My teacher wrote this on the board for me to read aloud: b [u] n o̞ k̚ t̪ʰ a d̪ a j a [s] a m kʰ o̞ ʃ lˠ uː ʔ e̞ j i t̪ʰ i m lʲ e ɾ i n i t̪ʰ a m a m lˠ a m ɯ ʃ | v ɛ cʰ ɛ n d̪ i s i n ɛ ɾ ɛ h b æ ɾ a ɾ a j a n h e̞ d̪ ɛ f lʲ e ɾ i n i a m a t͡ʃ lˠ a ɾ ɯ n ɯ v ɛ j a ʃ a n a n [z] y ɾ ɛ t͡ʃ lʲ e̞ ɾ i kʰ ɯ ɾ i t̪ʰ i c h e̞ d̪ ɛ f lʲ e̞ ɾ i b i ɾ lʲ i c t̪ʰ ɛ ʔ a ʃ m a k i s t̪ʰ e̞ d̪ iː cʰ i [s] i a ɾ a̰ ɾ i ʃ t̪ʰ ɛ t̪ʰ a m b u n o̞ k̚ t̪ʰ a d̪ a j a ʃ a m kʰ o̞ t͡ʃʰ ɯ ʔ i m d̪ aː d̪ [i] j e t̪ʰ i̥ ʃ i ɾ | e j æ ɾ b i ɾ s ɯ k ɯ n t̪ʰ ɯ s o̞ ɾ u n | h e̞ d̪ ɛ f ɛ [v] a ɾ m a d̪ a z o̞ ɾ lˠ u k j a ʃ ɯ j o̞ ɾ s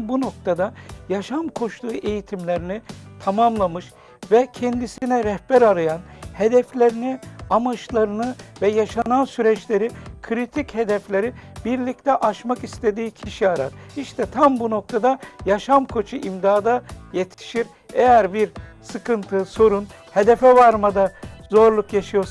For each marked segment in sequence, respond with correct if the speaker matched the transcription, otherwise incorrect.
correct, incorrect: ʃ, incorrect: s, incorrect: ʃ, incorrect: a, correct

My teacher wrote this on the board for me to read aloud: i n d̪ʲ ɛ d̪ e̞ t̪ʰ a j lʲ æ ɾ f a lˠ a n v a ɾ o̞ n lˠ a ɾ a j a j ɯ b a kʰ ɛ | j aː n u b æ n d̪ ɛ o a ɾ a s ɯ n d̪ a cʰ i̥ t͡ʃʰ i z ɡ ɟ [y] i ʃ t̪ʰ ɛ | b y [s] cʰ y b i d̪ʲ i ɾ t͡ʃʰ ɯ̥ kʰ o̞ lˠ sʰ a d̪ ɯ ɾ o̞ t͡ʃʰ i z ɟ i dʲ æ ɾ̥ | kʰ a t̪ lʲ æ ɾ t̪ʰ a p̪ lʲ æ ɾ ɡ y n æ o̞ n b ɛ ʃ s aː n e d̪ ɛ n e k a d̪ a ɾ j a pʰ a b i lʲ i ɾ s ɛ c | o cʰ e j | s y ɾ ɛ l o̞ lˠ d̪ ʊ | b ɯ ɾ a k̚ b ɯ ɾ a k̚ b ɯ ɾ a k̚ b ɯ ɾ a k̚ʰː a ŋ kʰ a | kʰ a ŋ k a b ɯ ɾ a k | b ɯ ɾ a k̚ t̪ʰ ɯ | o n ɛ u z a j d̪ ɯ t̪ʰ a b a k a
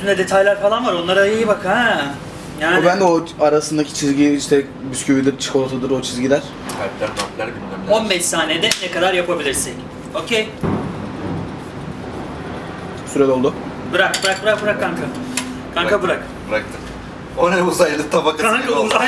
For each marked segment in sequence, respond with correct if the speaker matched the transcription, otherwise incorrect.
incorrect: i, correct

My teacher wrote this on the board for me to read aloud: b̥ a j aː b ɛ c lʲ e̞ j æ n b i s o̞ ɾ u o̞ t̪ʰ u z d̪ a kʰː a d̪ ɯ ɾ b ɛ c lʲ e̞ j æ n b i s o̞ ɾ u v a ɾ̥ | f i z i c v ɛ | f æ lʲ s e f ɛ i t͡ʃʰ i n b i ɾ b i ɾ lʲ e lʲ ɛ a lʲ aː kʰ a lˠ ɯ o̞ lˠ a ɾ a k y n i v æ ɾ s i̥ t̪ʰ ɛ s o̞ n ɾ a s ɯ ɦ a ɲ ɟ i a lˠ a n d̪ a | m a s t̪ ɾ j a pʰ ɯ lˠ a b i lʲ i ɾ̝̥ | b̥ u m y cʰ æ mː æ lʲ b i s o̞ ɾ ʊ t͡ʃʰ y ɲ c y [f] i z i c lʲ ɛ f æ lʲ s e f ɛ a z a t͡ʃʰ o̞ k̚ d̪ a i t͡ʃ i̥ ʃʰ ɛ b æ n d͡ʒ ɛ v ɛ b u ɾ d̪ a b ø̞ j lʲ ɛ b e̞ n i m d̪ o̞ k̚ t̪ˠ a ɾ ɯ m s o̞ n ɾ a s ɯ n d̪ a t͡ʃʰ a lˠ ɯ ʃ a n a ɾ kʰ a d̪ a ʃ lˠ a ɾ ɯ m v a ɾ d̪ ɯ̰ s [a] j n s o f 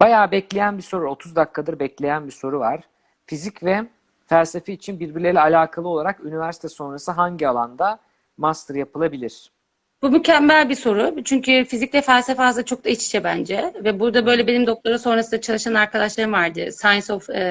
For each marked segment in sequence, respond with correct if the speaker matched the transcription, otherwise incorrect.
correct, correct

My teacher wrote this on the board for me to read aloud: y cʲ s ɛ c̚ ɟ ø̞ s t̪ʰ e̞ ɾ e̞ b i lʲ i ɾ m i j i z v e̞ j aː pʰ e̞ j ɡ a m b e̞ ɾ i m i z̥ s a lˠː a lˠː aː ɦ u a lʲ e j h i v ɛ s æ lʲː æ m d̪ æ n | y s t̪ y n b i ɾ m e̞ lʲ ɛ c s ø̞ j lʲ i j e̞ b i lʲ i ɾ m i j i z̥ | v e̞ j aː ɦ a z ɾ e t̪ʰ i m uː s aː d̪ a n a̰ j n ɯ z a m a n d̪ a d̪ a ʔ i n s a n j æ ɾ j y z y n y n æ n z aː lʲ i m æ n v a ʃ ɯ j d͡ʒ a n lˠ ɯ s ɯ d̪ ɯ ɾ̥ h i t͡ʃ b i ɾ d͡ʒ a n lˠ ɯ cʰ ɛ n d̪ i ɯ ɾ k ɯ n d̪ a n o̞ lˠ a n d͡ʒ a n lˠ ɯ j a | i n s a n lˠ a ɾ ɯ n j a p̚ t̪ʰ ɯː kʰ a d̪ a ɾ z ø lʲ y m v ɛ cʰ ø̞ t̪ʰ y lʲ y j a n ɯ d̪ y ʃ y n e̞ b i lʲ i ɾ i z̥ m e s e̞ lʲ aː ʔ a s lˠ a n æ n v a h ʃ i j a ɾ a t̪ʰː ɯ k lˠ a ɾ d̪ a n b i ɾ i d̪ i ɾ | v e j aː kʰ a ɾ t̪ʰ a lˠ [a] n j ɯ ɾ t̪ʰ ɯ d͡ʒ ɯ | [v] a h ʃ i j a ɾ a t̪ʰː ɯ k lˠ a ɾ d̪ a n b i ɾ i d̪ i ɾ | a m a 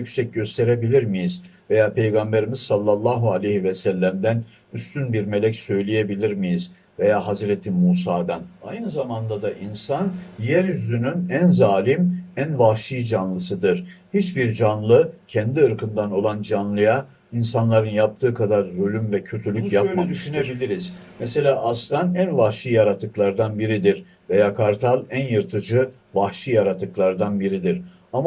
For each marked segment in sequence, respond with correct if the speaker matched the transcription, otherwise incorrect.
incorrect: æ, correct

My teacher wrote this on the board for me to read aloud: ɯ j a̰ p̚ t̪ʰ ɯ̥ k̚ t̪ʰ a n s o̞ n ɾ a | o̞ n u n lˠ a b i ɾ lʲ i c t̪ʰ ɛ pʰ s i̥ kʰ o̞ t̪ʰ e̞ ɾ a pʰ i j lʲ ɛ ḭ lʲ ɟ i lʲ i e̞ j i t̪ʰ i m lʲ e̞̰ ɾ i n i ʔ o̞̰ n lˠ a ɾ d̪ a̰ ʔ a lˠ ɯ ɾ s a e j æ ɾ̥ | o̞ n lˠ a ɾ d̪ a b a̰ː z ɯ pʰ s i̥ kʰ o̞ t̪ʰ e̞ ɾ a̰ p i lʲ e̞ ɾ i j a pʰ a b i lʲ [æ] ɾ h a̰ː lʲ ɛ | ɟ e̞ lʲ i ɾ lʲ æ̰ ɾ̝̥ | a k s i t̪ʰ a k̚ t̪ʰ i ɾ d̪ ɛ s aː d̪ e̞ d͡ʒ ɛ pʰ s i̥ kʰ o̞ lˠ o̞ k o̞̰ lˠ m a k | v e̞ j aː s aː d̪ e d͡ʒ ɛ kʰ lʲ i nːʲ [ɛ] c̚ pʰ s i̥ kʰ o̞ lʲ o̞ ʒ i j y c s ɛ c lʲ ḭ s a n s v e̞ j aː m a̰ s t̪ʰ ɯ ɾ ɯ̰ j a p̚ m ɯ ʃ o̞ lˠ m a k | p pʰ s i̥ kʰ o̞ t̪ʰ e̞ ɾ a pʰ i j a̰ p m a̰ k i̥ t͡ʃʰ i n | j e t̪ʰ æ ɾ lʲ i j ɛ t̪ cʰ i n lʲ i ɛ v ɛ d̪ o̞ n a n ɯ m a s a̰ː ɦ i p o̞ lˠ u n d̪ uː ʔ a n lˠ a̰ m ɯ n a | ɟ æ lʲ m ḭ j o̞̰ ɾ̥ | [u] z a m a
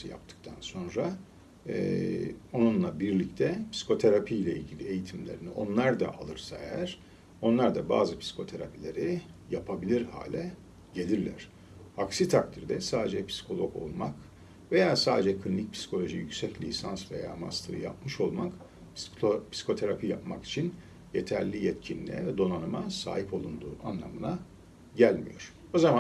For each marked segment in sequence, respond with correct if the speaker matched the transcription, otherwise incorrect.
incorrect: i, incorrect: i, incorrect: o

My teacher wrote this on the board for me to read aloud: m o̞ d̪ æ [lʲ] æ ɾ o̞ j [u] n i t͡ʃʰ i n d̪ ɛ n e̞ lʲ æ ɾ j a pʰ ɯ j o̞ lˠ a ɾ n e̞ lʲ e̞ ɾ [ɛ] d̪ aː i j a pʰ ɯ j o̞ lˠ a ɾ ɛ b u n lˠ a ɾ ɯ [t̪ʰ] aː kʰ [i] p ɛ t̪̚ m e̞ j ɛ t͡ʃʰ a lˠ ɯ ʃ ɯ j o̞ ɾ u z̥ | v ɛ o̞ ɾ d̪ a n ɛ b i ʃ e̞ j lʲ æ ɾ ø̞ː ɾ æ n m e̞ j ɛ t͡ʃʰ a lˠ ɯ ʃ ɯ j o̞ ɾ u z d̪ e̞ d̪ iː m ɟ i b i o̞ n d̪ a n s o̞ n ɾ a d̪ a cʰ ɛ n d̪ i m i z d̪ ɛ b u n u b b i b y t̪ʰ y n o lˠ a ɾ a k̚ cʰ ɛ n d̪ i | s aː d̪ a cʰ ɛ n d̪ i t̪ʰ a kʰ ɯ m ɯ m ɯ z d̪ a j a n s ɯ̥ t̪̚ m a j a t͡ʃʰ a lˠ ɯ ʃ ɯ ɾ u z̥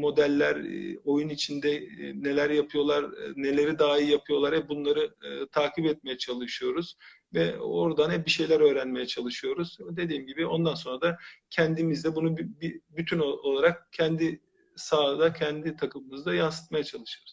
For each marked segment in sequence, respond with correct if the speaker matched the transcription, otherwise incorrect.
incorrect: lʲː, correct, incorrect: i, correct, correct

